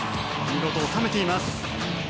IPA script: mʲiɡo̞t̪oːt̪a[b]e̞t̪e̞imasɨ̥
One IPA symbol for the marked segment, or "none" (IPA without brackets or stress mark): m